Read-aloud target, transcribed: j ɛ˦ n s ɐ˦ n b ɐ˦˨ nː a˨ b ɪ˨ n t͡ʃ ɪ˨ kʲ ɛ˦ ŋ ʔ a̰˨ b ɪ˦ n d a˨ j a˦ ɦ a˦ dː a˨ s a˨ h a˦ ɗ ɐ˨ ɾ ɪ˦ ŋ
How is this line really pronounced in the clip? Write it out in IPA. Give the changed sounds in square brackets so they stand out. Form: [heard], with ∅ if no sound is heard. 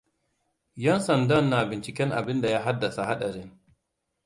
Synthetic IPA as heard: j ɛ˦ n s [ɐ˨] n [d] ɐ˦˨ nː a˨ b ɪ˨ n t͡ʃ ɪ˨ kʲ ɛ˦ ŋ ʔ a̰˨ b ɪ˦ n d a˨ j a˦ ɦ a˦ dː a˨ s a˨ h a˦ ɗ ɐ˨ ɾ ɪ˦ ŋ